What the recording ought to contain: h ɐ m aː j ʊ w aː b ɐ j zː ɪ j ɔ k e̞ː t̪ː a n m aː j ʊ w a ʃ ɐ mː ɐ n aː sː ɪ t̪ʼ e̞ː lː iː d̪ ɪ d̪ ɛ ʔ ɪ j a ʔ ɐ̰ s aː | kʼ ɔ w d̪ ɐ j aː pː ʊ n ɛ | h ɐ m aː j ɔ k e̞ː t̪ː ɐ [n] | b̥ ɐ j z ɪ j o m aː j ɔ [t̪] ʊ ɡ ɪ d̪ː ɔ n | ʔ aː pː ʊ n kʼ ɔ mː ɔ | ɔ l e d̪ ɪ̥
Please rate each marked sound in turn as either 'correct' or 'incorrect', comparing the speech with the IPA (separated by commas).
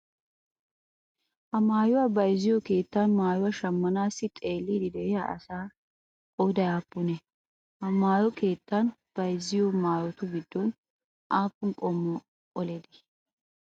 correct, correct